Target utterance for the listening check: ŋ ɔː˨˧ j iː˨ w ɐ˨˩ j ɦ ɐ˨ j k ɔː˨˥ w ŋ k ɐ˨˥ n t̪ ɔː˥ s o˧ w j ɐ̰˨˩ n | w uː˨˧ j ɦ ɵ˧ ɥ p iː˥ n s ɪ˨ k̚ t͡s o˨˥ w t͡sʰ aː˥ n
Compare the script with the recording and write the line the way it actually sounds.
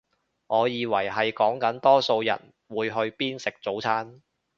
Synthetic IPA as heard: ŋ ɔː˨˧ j iː˨ w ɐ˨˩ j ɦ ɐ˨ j k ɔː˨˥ ŋ k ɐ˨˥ n t̪ ɔː˥ s o˧ w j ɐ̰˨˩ n | w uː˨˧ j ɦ ɵ˧ ɥ p iː˥ n s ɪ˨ k̚ t͡s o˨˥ w t͡sʰ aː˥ n